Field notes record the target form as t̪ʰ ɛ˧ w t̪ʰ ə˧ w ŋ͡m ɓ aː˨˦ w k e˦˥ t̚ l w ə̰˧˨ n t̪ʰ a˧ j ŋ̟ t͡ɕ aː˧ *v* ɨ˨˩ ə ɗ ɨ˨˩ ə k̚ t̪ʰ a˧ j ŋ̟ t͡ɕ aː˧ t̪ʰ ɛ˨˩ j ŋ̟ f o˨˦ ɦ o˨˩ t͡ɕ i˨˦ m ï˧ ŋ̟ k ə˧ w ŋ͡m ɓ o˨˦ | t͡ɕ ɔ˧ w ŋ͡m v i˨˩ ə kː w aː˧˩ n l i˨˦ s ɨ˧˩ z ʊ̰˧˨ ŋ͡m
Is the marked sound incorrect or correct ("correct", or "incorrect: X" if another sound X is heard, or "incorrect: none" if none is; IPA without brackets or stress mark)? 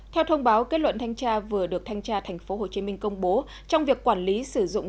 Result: correct